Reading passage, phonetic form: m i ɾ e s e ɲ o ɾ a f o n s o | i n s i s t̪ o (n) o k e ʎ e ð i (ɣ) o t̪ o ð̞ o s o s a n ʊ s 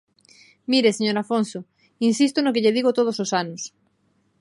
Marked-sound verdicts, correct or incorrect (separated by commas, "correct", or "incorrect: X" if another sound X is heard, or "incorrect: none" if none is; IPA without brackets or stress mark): correct, correct